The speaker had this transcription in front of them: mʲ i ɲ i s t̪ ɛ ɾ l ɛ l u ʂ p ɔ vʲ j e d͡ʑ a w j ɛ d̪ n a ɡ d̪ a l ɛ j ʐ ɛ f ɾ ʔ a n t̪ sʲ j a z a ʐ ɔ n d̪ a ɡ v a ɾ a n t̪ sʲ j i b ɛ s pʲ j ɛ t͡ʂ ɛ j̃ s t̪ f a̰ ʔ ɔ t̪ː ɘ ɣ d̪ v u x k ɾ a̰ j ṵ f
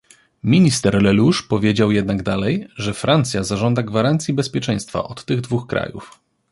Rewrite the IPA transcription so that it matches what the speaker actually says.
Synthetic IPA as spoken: mʲ i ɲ i s t̪ ɛ ɾ l ɛ l u ʂ p ɔ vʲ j e d͡ʑ a w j ɛ d̪ n a ɡ d̪ a l ɛ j ʐ ɛ f ɾ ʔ a n t̪ sʲ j a z a ʐ ɔ n d̪ a ɡ v a ɾ a n t̪ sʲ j i b ɛ s pʲ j ɛ t͡ʂ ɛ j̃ s t̪ f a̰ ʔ ɔ t̪ː ɘ ɣ d̪ v u x k ɾ a̰ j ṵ f

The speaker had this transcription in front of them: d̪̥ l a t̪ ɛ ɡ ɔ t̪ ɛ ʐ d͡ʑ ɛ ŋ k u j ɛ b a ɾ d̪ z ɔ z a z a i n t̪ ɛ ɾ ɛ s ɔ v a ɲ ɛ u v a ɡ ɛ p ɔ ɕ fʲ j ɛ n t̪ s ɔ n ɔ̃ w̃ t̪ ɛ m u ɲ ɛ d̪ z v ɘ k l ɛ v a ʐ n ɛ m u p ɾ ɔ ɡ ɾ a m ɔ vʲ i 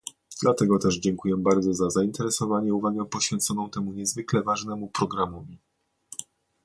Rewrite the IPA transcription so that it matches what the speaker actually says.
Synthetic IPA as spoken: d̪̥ l a t̪ ɛ ɡ ɔ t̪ ɛ ʐ d͡ʑ ɛ ŋ k u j ɛ b a ɾ d̪ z ɔ z a z a i n t̪ ɛ ɾ ɛ s ɔ v a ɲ ɛ u v a ɡ ɛ p ɔ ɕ fʲ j ɛ n t̪ s ɔ n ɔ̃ w̃ t̪ ɛ m u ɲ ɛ z v ɘ k l ɛ v a ʐ n ɛ m u p ɾ ɔ ɡ ɾ a m ɔ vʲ i

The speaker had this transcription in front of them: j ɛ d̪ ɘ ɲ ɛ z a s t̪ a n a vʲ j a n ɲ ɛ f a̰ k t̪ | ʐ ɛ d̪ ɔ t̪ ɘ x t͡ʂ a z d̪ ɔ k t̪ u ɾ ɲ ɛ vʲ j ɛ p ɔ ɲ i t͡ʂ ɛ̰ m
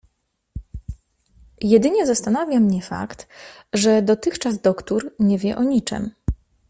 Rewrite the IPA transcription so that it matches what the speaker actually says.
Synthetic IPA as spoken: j ɛ d̪ ɘ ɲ ɛ z a s t̪ a n a vʲ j a m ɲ ɛ f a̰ k t̪ | ʐ ɛ d̪ ɔ t̪ ɘ x t͡ʂ a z d̪ ɔ k t̪ u ɾ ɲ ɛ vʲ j ɛ ʔ ɔ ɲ i t͡ʂ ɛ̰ m

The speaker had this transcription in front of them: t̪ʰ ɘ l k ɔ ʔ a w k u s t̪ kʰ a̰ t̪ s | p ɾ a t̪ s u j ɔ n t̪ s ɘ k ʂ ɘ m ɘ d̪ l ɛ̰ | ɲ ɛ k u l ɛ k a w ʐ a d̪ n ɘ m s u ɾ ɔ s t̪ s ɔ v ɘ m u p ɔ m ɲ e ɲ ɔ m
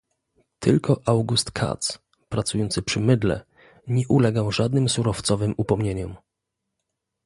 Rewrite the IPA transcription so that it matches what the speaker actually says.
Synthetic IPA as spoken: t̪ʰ ɘ l k ɔ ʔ a w ɡ u s t̪ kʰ a̰ t̪ s | p ɾ a t̪ s u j ɔ n t̪ s ɘ p ʂ ɘ m ɘ d̪ l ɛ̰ | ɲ ɛ ʔ u l ɛ ɡ a w ʐ a d̪ n ɘ m s u ɾ ɔ f t̪ s ɔ v ɘ m u p ɔ m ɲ e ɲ ɔ m

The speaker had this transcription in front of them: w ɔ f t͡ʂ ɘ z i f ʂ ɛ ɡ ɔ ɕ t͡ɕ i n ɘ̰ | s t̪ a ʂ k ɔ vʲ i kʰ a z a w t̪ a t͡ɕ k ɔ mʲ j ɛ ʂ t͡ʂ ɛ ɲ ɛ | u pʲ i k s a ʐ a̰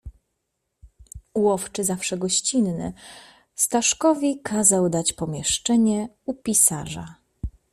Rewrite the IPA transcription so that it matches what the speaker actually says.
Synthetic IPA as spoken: w ɔ f t͡ʂ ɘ z a f ʂ ɛ ɡ ɔ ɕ t͡ɕ i nː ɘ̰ | s t̪ a ʂ k ɔ vʲ i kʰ a z a w d̪ a t͡ɕ p ɔ mʲ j ɛ ʂ t͡ʂ ɛ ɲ ɛ | u pʲ i s a ʐ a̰

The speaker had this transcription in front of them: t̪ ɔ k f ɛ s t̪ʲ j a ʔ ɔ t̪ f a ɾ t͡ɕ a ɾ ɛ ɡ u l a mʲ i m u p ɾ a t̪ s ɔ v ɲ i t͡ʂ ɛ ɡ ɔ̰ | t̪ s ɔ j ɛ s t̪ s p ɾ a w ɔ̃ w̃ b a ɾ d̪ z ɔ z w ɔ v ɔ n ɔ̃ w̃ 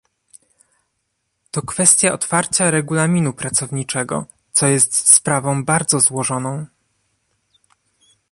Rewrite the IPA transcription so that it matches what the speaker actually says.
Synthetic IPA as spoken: t̪ ɔ k f ɛ s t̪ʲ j a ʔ ɔ t̪ f a ɾ t͡ɕ a ɾ ɛ ɡ u l a mʲ i n u p ɾ a t̪ s ɔ v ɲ i t͡ʂ ɛ ɡ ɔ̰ | t̪ s ɔ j ɛ s t̪ s p ɾ a v ɔ̃ w̃ b a ɾ d̪ z ɔ z w ɔ ʐ ɔ n ɔ̃ w̃

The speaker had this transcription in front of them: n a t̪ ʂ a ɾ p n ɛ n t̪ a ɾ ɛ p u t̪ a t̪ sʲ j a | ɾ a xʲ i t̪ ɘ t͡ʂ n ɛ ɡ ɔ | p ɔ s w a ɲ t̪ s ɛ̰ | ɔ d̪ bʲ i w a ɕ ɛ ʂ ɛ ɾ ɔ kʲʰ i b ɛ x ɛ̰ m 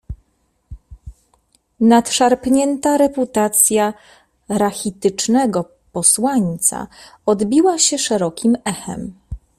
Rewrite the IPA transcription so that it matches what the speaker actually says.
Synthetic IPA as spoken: n a t̪ ʂ a ɾ p ɲ ɛ n t̪ a ɾ ɛ p u t̪ a t̪ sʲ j a | ɾ a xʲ i t̪ ɘ t͡ʂ n ɛ ɡ ɔ | p ɔ s w a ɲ t̪ s a̰ | ɔ d̪ bʲ i w a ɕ ɛ ʂ ɛ ɾ ɔ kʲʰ i m ɛ x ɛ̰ m

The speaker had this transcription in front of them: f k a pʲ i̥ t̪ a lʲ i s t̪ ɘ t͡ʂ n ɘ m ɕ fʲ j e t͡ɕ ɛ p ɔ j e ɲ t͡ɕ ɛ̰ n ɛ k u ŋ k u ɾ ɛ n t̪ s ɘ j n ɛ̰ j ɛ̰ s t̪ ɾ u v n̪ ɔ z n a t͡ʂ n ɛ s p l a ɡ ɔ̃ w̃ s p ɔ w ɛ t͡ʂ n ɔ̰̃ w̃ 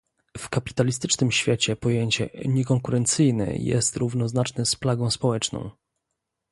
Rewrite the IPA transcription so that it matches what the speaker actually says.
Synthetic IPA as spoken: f k a pʲ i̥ t̪ a lʲ i s t̪ ɘ t͡ʂ n ɘ m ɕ fʲ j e t͡ɕ ɛ p ɔ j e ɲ t͡ɕ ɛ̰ ɲ ɛ k ɔ ŋ k u ɾ ɛ n t̪ s ɘ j n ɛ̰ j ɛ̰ s t̪ ɾ u v n̪ ɔ z n a t͡ʂ n ɛ s p l a ɡ ɔ̃ w̃ s p ɔ w ɛ t͡ʂ n ɔ̰̃ w̃

